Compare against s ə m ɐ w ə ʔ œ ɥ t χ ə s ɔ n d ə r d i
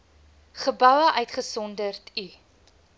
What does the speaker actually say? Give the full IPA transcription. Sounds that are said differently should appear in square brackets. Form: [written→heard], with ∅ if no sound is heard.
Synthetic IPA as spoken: [s→χ] ə [m→b] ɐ w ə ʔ œ ɥ t χ ə s ɔ n d ə r [d→t] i